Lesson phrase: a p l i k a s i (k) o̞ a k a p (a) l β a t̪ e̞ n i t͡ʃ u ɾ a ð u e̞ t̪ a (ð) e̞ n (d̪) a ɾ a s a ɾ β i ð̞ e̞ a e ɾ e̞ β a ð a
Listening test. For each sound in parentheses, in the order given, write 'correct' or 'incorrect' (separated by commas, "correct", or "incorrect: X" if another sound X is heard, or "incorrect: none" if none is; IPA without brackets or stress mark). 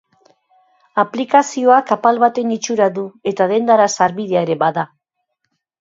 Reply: incorrect: none, correct, correct, correct